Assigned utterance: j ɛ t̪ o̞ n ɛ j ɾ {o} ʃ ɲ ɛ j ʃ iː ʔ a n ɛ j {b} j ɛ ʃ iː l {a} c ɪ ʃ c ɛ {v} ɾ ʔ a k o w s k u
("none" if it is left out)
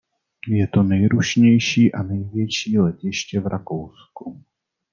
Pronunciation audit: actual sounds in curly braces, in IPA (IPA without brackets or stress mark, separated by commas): u, v, ɛ, v